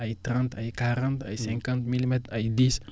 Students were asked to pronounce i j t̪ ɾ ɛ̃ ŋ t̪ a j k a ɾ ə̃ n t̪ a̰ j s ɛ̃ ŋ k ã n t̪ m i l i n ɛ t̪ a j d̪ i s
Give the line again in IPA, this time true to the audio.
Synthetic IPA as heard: a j t̪ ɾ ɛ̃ n t̪ a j k a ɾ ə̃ n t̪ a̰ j s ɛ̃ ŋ k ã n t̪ m i l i m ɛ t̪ a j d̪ i s